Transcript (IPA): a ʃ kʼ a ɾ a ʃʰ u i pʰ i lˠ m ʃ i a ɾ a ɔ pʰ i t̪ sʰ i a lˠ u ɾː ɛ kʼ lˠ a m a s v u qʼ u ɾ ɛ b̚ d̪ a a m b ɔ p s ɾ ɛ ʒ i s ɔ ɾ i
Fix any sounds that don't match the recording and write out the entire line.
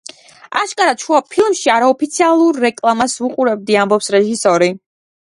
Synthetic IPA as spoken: a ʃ kʼ a ɾ a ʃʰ u a pʰ i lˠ m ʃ i a ɾ a ɔ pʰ i t̪ sʰ i a lˠ u ɾː ɛ kʼ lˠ a m a s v u qʼ u ɾ ɛ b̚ d̪ i a m b ɔ p s ɾ ɛ ʒ i s ɔ ɾ i